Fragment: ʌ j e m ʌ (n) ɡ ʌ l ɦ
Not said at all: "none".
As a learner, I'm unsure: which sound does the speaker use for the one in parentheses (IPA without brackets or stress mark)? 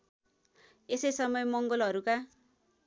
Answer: ŋ